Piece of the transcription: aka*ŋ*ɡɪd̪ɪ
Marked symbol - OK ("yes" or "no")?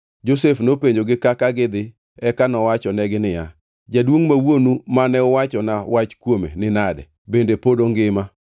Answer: no